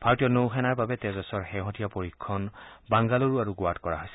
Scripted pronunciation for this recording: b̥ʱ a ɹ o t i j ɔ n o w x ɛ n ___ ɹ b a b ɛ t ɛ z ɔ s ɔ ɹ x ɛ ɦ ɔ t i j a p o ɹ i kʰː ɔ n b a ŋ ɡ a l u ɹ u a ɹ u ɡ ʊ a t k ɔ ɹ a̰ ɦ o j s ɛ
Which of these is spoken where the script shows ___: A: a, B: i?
A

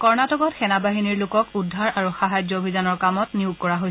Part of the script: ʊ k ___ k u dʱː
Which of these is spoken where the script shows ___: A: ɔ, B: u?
A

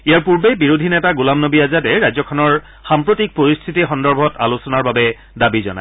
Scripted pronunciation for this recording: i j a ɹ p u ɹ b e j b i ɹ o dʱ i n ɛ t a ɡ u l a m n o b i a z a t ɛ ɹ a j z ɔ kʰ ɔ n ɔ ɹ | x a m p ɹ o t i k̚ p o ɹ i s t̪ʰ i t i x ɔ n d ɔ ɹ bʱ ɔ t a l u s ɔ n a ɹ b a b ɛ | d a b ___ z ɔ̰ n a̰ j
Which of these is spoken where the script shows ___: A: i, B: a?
A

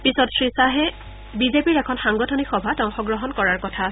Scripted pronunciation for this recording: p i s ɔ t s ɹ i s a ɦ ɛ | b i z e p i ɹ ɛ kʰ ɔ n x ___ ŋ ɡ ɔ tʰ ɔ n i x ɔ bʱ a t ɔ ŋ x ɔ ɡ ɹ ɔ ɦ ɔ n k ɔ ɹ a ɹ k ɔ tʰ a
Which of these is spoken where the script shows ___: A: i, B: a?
B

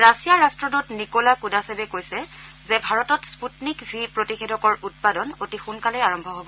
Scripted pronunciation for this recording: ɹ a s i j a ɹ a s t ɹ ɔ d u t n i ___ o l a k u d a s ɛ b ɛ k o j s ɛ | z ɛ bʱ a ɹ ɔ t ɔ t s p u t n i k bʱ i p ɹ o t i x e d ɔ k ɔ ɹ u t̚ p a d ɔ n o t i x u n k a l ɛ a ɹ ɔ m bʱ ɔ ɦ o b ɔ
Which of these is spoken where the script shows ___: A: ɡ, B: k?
B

